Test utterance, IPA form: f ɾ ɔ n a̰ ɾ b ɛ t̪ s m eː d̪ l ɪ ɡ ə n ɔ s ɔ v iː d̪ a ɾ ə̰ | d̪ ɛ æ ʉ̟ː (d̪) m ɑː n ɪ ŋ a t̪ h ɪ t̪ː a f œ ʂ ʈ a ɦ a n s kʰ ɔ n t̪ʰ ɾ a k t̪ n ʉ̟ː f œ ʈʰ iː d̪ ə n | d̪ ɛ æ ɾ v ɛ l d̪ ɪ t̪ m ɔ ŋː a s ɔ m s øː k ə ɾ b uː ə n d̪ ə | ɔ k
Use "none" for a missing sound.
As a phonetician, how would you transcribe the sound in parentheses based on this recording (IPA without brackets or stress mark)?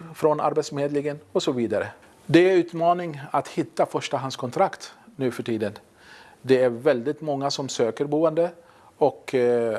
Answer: t̪